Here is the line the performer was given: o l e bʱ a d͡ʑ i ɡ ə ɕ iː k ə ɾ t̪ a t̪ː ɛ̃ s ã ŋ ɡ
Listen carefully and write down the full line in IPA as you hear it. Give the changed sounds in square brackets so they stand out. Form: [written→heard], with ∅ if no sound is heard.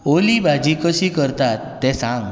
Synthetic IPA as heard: o l [e→i] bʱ a d͡ʑ i [ɡ→k] ə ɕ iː k ə ɾ t̪ a t̪ː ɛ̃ s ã ŋ ɡ